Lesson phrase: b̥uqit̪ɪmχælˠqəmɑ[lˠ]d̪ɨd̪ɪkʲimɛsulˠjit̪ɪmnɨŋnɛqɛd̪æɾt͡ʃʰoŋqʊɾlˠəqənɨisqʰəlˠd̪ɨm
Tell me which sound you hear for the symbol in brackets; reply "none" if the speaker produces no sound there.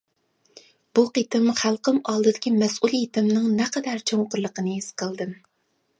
lˠ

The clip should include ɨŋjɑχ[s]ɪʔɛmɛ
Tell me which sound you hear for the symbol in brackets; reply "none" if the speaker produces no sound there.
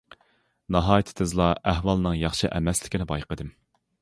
ʃ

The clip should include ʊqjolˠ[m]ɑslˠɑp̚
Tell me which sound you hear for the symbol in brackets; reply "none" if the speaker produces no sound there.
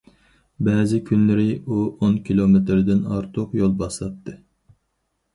b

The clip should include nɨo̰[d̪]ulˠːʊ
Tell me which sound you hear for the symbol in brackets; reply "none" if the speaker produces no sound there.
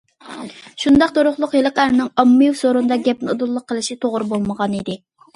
d̪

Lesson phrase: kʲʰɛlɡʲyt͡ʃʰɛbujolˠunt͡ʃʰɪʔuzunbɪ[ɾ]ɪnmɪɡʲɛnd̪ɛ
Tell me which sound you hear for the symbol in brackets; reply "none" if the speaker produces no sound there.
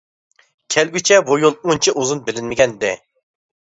l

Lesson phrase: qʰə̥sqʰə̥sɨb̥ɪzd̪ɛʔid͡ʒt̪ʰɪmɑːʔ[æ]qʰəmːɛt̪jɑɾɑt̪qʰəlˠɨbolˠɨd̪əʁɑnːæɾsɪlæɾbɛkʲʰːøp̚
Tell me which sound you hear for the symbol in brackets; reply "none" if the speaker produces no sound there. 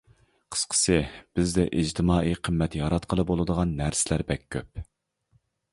i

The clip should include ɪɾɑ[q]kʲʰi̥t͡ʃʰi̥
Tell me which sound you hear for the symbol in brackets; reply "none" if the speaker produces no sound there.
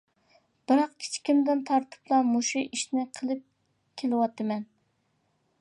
q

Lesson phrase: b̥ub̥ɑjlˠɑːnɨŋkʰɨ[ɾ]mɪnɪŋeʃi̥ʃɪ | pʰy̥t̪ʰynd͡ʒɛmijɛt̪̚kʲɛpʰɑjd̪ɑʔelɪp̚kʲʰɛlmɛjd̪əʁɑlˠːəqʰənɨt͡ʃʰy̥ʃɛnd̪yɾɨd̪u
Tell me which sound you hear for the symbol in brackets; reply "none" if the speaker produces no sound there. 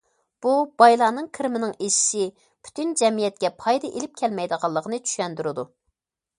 ɾ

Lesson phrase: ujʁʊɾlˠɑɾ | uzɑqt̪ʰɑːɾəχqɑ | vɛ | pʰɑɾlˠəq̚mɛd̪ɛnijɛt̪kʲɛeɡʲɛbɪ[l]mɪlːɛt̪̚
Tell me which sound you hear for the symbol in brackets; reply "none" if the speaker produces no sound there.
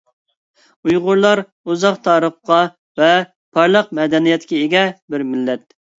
ɾ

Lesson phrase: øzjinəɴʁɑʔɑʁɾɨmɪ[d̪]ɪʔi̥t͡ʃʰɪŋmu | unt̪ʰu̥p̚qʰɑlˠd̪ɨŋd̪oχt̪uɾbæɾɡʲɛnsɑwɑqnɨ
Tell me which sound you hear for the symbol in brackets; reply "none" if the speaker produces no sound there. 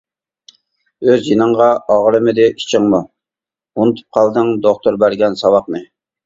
d̪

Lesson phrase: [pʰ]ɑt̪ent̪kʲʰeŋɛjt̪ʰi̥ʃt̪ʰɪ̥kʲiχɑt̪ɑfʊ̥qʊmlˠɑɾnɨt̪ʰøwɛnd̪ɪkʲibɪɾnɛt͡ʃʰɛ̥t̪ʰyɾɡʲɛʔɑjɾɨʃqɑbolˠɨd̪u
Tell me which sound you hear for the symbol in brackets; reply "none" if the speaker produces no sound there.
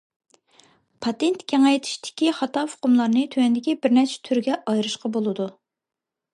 pʰ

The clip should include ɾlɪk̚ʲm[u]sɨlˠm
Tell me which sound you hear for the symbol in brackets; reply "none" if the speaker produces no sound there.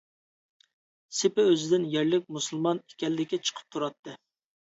u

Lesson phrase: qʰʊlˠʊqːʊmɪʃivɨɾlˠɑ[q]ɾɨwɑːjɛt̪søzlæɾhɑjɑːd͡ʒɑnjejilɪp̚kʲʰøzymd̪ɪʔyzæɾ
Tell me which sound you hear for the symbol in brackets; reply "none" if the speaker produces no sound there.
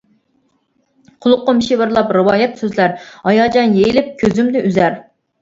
p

